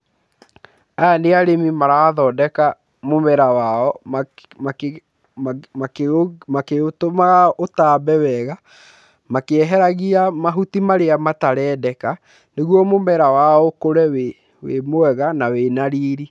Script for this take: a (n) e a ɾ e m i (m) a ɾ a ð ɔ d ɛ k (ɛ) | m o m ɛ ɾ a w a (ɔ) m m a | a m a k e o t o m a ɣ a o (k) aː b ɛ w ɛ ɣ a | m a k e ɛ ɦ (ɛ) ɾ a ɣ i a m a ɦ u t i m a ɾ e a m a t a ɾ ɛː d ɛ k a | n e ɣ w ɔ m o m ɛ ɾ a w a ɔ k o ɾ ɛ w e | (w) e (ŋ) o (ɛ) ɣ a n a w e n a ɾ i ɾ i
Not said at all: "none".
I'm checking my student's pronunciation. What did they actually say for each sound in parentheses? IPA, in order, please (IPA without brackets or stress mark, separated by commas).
n, m, a, ɔ, t, ɛ, w, m, ɛ